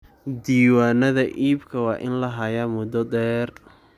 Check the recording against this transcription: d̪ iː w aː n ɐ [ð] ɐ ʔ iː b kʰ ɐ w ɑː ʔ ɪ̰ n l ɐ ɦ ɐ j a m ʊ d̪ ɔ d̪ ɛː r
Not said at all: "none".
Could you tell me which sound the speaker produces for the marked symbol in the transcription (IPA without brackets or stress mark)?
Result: ð